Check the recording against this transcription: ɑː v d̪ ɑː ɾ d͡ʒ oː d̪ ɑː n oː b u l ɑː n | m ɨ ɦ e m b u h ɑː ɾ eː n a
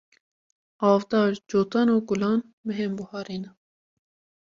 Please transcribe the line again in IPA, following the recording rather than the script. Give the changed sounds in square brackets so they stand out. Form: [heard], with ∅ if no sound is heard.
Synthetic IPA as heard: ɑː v d̪ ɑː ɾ d͡ʒ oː [t̪] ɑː n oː [ɡ] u l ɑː n | m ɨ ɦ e m b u h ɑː ɾ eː n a